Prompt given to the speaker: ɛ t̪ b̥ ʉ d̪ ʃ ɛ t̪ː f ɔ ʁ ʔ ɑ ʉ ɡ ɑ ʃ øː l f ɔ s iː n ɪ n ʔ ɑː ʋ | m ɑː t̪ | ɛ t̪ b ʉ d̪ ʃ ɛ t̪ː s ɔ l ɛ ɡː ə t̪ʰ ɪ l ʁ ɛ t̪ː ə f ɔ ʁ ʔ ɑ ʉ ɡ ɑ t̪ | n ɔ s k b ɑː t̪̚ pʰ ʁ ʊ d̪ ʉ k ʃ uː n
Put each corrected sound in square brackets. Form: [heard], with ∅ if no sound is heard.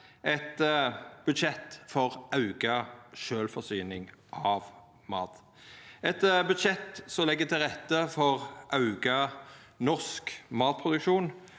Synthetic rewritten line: ɛ t̪ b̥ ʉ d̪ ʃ ɛ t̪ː f ɔ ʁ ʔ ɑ ʉ ɡ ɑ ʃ øː l f ɔ s [yː] n ɪ [ŋ] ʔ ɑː ʋ | m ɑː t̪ | ɛ t̪ b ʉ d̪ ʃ ɛ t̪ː s ɔ l ɛ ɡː ə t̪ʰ ɪ l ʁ ɛ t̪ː ə f ɔ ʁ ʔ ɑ ʉ ɡ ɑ [∅] | n ɔ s k [m] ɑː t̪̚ pʰ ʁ ʊ d̪ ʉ k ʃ uː n